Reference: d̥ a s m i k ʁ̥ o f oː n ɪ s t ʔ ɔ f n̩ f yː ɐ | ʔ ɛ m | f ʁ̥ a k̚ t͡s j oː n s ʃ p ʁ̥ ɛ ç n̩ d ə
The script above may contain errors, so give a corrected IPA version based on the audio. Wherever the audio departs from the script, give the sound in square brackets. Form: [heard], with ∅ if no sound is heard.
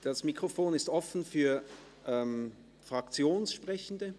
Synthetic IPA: d̥ a s m i k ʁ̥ o f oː n ɪ s t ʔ ɔ f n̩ f yː ɐ | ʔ ɛ m | f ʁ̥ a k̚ t͡s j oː n s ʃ p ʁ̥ ɛ ç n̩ d ə